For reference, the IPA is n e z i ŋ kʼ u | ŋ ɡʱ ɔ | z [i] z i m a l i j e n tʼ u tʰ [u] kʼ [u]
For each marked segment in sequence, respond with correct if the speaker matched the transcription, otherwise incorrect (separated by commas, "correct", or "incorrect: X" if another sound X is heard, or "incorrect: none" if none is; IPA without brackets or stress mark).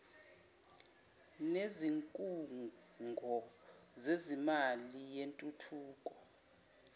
incorrect: e, incorrect: uː, incorrect: ɔ